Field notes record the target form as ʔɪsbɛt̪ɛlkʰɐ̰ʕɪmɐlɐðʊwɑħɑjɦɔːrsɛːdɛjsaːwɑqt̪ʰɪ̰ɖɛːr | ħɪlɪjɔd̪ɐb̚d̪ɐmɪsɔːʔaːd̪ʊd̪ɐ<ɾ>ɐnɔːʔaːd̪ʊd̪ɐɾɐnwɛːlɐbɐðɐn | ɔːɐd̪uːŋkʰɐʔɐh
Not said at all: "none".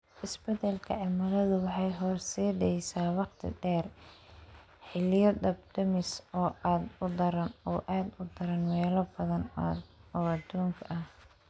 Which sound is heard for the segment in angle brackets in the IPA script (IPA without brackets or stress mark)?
ɾ